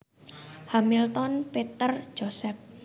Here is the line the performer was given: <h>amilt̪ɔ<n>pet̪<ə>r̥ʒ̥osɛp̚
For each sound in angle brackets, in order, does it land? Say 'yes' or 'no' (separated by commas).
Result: yes, yes, yes